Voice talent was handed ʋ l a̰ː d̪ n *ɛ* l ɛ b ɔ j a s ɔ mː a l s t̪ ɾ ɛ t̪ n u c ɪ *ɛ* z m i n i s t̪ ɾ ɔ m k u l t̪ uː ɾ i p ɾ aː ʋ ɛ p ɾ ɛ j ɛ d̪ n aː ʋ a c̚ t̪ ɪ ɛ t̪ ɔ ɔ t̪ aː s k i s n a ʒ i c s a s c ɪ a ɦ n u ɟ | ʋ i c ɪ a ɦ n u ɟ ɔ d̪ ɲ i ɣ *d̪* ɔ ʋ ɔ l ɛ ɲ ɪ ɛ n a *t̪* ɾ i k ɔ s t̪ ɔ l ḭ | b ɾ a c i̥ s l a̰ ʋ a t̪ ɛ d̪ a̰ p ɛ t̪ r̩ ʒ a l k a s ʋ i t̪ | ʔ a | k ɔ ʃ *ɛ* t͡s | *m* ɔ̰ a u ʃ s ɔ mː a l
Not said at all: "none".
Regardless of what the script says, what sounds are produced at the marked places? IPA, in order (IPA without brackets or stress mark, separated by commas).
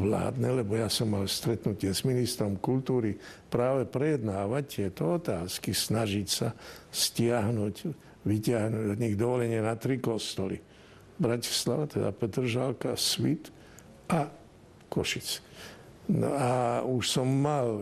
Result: ɛ, ɛ, d̪, t̪, i, n